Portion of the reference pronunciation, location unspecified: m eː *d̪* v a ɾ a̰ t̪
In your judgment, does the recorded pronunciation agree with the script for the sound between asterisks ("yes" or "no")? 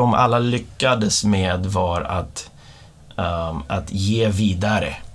yes